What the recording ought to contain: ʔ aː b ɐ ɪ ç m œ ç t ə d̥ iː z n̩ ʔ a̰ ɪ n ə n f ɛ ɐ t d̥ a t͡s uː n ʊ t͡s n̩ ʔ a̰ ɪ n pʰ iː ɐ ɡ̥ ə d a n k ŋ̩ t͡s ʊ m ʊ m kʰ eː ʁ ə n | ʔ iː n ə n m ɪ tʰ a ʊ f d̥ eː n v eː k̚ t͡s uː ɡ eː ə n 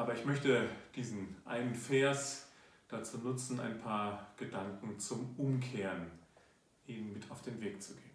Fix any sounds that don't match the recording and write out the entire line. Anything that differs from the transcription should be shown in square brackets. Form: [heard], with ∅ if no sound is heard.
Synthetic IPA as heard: ʔ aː b ɐ ɪ ç m œ ç t ə d̥ iː z n̩ ʔ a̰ ɪ n ə n f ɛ ɐ [s] d̥ a t͡s uː n ʊ t͡s n̩ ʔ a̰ ɪ n pʰ [aː] ɐ ɡ̥ ə d a [ŋ] k ŋ̩ t͡s ʊ m ʊ m kʰ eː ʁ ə n | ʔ iː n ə n m ɪ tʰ a ʊ f d̥ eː n v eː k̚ t͡s [u] ɡ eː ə n